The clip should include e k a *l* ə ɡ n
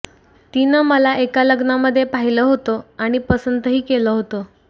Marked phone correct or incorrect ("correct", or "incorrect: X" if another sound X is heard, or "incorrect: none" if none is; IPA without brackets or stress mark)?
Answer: correct